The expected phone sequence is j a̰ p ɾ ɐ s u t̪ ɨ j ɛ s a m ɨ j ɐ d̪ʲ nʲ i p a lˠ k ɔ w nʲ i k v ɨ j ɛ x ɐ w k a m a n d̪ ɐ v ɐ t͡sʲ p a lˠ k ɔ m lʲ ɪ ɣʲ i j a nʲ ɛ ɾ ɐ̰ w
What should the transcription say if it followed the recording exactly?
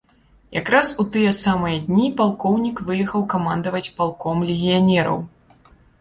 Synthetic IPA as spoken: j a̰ k ɾ a s u t̪ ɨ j ɛ s a m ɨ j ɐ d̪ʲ nʲ i p a lˠ k ɔ w nʲ i k v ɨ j ɛ x ɐ w k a m a n d̪ ɐ v ɐ t͡sʲ p a lˠ k ɔ m lʲ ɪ ɣʲ i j a nʲ ɛ ɾ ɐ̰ w